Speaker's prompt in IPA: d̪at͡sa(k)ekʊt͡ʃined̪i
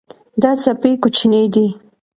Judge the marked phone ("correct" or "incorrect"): incorrect